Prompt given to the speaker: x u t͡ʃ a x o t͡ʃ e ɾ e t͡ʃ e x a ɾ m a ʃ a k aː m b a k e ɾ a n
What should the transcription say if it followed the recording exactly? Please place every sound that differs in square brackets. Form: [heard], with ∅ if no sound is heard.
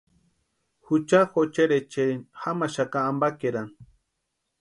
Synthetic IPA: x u t͡ʃ a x o t͡ʃ e ɾ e t͡ʃ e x a [∅] m a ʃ a k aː m b a k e ɾ a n